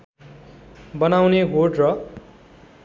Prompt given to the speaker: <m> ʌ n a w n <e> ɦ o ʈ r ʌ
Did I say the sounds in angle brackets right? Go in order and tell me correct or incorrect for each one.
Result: incorrect: b, correct

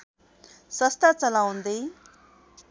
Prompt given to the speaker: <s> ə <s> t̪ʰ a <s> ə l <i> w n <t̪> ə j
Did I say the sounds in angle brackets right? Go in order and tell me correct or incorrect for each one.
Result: correct, correct, incorrect: t͡s, incorrect: a, incorrect: d̪

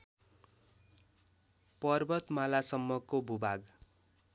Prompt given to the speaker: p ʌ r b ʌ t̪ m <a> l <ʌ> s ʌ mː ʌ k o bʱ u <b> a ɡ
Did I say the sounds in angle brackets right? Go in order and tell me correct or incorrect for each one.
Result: correct, incorrect: a, correct

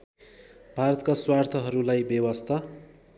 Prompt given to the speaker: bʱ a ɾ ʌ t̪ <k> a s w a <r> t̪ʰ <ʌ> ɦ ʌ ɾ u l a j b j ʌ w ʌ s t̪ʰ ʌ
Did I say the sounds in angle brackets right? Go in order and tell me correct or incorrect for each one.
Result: correct, correct, correct

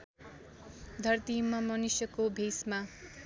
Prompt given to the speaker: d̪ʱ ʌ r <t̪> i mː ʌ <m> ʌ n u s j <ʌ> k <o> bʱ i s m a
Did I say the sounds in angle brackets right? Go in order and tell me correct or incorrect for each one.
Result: correct, correct, correct, correct

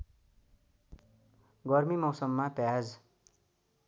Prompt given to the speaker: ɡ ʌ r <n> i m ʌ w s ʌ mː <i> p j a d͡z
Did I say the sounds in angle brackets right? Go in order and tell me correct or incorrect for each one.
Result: incorrect: m, incorrect: a

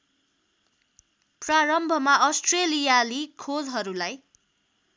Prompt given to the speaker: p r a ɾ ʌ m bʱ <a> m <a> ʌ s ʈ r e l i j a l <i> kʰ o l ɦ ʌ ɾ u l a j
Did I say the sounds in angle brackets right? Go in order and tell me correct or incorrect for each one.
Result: incorrect: ʌ, correct, correct

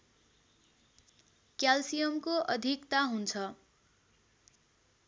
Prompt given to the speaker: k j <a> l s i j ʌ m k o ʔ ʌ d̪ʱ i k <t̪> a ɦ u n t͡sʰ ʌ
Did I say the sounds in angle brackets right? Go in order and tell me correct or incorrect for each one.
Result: correct, correct

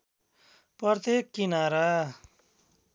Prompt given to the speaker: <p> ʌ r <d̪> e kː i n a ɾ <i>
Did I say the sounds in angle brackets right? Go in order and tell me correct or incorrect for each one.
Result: correct, incorrect: t̪, incorrect: a

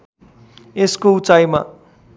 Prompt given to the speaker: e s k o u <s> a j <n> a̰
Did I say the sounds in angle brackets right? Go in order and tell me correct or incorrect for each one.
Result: incorrect: t͡s, incorrect: m

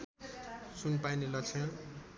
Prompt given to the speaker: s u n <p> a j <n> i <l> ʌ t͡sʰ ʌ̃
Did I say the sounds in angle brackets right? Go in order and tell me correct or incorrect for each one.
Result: correct, correct, correct

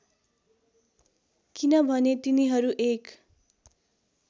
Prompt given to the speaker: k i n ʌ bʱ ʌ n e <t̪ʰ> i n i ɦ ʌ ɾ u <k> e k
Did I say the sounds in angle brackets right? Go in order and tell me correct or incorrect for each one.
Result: incorrect: t̪, incorrect: ʔ

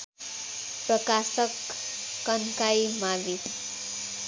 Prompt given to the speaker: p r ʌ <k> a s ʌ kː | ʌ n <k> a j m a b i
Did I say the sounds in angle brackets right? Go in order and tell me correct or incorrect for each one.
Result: correct, correct

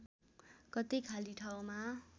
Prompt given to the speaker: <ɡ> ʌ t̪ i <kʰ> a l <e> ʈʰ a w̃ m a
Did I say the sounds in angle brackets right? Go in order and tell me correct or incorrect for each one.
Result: incorrect: k, correct, incorrect: i

